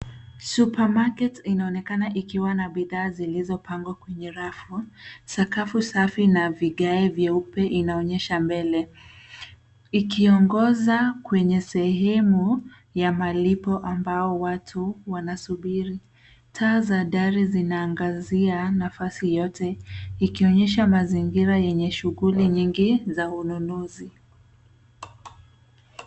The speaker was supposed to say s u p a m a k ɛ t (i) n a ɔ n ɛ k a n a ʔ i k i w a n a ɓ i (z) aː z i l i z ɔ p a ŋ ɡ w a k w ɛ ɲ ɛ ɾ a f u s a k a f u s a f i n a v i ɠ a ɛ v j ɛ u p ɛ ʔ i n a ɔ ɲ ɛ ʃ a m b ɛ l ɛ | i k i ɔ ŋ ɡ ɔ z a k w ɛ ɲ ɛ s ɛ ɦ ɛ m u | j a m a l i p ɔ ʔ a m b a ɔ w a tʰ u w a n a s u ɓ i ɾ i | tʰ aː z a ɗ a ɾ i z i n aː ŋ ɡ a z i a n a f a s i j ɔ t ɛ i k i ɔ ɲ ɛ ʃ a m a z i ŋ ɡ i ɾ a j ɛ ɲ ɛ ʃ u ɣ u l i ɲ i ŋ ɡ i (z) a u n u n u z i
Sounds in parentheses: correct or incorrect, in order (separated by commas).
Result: correct, incorrect, correct